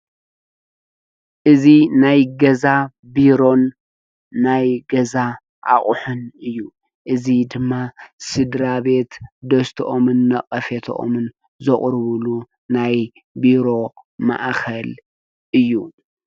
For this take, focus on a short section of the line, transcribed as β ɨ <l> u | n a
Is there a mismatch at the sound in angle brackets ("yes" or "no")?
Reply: no